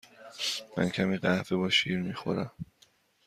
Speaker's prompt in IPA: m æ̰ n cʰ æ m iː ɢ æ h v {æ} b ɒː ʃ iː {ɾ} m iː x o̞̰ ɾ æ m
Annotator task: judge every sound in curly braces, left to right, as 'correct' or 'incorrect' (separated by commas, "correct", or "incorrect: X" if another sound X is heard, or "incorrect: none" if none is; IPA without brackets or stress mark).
incorrect: e, correct